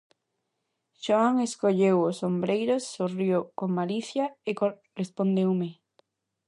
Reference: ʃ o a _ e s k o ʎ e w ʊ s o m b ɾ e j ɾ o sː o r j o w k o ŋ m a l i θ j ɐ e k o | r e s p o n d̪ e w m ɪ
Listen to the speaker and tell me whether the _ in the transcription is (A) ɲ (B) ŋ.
B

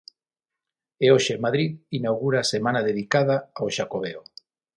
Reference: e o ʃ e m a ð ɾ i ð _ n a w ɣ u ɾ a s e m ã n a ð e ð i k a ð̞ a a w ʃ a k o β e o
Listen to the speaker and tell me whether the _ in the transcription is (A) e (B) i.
B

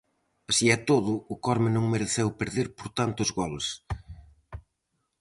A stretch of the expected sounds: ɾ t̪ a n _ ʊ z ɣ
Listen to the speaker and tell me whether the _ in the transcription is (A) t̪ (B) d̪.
A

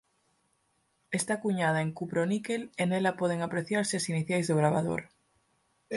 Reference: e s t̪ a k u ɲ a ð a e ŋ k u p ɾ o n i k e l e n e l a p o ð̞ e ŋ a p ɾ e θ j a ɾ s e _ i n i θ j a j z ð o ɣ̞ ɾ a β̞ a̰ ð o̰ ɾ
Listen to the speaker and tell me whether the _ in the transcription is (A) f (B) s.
B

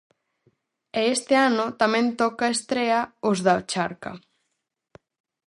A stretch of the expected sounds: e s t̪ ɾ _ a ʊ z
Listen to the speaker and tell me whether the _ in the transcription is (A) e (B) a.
A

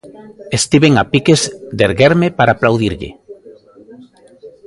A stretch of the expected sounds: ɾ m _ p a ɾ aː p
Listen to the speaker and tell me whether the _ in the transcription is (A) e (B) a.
A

